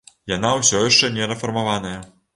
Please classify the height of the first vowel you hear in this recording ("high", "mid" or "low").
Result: low